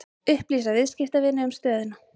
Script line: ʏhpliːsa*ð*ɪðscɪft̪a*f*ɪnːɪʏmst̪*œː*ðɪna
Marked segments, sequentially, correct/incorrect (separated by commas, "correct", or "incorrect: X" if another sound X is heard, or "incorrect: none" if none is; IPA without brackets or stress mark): incorrect: v, incorrect: v, correct